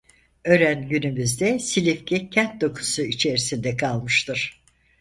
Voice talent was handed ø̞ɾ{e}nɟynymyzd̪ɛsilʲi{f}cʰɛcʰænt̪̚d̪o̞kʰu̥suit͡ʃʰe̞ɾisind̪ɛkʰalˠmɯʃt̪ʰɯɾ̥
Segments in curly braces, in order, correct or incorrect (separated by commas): incorrect, correct